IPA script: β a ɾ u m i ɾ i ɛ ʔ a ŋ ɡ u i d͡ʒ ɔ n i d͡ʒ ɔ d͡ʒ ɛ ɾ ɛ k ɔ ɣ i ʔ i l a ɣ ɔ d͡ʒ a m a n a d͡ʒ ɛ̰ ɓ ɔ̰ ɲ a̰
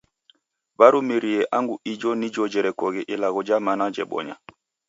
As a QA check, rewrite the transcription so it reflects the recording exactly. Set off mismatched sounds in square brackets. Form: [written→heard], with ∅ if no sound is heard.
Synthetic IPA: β a ɾ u m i ɾ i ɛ ʔ a ŋ ɡ u i d͡ʒ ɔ n i d͡ʒ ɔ d͡ʒ ɛ ɾ ɛ k ɔ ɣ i ʔ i l a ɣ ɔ d͡ʒ a m a n a d͡ʒ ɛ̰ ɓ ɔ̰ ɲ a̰